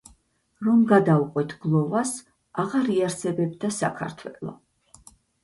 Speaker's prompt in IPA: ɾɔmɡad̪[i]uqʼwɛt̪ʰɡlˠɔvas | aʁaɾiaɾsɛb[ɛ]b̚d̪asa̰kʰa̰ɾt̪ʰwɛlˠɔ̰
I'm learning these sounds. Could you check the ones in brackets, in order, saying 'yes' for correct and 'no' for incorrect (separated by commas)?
no, yes